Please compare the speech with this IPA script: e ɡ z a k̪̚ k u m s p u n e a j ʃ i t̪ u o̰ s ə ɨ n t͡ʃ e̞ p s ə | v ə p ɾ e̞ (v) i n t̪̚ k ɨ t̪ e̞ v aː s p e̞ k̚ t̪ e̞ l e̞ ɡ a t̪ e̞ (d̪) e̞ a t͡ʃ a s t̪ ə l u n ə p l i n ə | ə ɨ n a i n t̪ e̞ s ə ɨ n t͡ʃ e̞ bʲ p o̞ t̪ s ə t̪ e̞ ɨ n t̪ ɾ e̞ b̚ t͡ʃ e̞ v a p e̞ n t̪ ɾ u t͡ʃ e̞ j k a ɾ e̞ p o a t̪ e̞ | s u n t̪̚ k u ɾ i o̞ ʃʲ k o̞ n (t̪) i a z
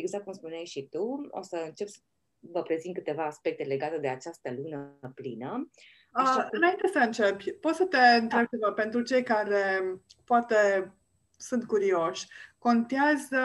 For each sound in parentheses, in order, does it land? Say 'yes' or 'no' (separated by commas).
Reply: no, yes, yes